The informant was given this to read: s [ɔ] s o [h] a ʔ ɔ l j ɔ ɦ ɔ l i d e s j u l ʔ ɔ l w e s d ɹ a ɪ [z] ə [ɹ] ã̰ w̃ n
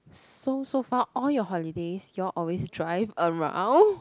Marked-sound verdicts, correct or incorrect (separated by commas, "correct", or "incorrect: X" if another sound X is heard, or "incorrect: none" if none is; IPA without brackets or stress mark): incorrect: o, incorrect: f, incorrect: v, correct